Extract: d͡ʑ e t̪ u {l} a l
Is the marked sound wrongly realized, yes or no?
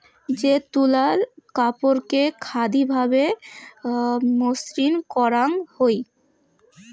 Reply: no